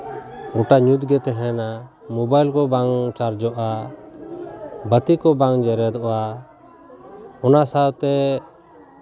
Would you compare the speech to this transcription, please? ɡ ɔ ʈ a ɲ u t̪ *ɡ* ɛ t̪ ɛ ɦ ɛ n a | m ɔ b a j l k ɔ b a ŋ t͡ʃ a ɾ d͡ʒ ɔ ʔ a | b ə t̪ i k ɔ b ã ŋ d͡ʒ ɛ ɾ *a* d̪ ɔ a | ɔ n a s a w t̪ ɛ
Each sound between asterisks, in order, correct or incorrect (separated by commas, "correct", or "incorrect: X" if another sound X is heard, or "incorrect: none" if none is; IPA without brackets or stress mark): correct, incorrect: ɛ